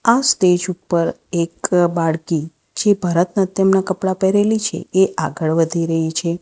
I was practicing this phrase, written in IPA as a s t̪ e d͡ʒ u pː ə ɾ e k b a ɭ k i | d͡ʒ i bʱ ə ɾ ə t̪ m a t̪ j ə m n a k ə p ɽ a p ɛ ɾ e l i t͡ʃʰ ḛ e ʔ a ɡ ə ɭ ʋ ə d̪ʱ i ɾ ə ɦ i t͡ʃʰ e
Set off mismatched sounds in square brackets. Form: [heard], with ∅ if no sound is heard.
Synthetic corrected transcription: a s t̪ e d͡ʒ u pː ə ɾ e k b a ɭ k i | d͡ʒ [e] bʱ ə ɾ ə t̪ [n] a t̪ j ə m n a k ə p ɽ a p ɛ ɾ e l i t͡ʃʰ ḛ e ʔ a ɡ ə ɭ ʋ ə d̪ʱ i ɾ ə ɦ i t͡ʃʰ e